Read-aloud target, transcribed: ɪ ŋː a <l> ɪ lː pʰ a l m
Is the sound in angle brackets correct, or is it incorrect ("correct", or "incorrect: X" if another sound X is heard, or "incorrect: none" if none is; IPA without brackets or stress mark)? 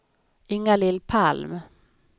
correct